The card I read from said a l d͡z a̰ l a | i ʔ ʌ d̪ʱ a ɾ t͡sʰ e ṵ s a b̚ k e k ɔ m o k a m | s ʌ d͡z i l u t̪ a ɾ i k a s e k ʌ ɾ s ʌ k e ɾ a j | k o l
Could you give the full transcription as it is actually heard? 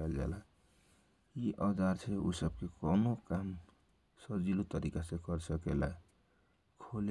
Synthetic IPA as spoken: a l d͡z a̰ l a | i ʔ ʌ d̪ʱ a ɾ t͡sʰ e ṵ s ʌ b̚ k e k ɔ n o k a m | s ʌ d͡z i l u t̪ ʌ ɾ i k a s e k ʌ ɾ s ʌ k e l a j | kʰ o l